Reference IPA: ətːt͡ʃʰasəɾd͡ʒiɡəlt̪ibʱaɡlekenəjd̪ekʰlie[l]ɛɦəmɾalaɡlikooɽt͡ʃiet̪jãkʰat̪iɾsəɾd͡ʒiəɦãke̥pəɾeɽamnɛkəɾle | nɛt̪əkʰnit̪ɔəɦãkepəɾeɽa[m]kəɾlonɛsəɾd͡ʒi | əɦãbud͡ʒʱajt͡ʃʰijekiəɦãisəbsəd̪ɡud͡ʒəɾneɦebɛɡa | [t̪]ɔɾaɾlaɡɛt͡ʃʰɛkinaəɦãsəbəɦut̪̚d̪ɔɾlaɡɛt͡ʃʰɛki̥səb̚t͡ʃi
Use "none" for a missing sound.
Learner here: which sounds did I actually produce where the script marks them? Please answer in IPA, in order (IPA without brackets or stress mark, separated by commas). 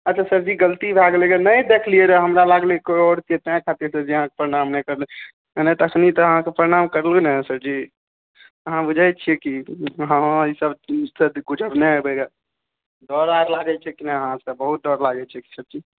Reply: ɾ, m, d̪